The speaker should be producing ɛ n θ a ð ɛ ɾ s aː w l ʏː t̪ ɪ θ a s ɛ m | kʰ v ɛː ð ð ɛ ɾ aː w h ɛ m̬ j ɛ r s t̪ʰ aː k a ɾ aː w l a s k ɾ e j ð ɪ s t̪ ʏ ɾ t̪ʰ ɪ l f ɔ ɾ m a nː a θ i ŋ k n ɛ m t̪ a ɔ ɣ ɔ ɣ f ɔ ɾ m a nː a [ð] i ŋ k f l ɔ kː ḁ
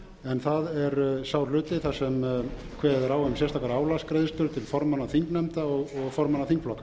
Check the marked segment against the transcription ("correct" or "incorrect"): incorrect